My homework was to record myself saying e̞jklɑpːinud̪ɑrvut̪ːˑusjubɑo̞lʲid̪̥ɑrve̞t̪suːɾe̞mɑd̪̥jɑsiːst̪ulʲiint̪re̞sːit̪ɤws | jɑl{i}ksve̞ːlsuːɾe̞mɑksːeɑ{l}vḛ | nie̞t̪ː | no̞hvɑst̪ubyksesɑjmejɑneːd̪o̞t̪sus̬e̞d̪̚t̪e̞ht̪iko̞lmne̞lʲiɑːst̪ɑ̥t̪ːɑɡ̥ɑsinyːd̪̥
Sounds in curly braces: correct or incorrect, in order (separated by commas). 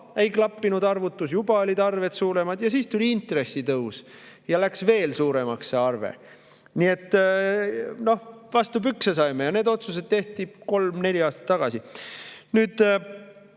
incorrect, incorrect